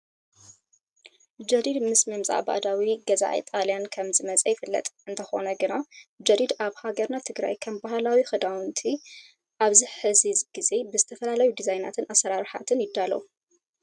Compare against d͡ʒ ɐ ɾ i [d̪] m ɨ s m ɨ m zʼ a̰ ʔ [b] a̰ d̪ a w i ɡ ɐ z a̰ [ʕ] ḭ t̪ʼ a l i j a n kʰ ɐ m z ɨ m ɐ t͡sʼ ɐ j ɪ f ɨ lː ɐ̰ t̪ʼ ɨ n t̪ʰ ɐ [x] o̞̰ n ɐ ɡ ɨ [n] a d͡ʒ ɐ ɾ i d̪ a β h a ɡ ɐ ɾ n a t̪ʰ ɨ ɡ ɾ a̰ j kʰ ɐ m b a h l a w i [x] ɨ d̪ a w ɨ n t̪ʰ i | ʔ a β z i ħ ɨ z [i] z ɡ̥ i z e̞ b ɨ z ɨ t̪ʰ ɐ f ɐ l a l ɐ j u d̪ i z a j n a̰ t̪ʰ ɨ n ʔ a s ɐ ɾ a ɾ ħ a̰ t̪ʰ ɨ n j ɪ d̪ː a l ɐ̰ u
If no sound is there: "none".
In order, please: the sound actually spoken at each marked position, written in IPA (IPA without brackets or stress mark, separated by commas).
d̪, b, ʕ, x, n, x, i